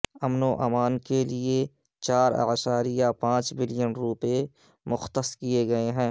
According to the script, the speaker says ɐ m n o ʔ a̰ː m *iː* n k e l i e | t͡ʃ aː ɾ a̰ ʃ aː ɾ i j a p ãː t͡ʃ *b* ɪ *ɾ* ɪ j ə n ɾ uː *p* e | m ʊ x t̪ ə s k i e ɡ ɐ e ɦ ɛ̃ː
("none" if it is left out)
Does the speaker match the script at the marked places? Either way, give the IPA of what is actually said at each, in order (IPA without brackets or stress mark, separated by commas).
aː, b, l, p